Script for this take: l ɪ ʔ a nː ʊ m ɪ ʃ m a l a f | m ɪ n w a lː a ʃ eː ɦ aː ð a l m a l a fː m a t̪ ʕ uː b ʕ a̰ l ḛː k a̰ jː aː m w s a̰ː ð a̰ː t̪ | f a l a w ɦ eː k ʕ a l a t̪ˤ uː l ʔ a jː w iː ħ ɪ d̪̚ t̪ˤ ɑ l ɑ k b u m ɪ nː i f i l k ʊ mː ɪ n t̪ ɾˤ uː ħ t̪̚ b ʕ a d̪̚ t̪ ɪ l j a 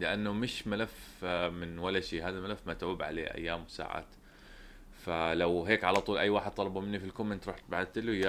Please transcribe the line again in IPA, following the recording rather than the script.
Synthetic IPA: l ɪ ʔ a nː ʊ m ɪ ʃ m a l a f | m ɪ n w a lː a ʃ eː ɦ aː ð a l m a l a fː m a t̪ ʕ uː b ʕ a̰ l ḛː ʔ a̰ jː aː m w s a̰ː ʕ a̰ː t̪ | f a l a w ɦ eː k ʕ a l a t̪ˤ uː l ʔ a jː w aː ħ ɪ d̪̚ t̪ˤ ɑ l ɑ b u m ɪ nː i f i l k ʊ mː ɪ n t̪ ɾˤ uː ħ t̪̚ b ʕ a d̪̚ t̪ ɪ l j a